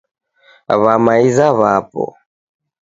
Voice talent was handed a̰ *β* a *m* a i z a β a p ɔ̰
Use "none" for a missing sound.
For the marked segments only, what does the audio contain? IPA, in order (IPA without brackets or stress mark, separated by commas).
β, m